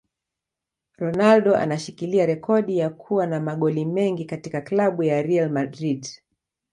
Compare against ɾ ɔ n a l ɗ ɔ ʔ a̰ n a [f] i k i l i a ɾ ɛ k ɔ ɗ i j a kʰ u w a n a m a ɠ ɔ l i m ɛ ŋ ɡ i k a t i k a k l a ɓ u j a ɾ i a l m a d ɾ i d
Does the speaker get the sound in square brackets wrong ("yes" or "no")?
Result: yes